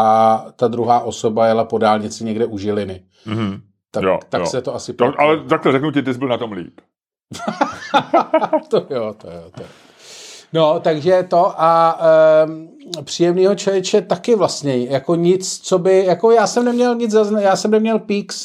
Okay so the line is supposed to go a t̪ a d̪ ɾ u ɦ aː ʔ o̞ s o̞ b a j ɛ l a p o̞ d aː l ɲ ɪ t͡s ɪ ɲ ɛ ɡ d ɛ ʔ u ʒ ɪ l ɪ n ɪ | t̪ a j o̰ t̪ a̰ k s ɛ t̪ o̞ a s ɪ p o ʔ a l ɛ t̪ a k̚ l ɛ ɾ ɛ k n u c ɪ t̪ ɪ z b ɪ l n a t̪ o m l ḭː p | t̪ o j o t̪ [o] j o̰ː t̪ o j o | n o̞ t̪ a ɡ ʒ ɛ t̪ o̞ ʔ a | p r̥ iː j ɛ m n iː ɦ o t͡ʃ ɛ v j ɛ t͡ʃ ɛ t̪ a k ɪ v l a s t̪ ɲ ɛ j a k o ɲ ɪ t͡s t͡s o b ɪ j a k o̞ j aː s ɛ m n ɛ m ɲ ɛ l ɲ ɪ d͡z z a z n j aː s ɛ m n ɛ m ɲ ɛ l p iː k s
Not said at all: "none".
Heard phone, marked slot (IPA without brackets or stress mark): o